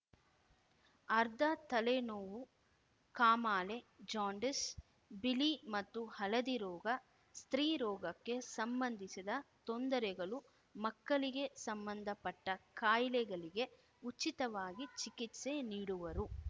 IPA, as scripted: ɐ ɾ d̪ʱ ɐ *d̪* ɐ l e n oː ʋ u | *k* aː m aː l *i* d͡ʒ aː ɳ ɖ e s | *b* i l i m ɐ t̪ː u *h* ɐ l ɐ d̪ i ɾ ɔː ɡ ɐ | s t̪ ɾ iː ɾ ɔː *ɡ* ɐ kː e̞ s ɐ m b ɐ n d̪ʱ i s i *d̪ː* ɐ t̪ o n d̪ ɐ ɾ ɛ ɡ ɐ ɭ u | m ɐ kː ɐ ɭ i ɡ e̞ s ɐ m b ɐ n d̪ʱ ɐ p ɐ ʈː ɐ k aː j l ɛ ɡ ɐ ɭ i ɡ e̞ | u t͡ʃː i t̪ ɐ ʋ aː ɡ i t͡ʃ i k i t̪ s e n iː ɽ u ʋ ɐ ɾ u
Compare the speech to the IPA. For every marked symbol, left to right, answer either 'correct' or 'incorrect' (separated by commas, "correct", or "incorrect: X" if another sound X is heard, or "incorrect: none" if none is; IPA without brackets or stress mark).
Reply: incorrect: t̪, correct, incorrect: e, correct, correct, correct, incorrect: d̪